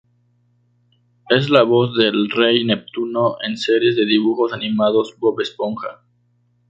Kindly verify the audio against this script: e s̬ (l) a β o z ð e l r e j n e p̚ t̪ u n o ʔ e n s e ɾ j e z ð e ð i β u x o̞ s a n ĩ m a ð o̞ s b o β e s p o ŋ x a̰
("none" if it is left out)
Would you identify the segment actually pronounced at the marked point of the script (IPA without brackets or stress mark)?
l